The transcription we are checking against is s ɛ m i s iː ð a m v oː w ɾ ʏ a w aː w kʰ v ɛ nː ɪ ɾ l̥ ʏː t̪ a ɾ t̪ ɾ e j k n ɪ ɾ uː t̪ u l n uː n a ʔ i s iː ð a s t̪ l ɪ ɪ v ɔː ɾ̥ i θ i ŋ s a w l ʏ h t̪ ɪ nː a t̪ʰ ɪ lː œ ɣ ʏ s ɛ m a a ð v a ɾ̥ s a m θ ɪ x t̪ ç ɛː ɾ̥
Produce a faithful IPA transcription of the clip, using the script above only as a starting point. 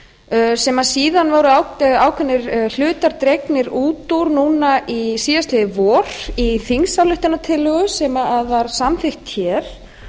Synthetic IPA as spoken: s ɛ m a s iː ð a n v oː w ɾ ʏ a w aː w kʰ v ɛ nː ɪ ɾ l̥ ʏː t̪ a ɾ t̪ ɾ e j k n ɪ ɾ uː t̪ u ɾ n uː n a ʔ i s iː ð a s t̪ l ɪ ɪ v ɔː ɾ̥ i θ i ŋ s a w l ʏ h t̪ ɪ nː a t̪ʰ ɪ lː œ ɣ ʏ s ɛ m a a ð v a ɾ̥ s a m θ ɪ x t̪ ç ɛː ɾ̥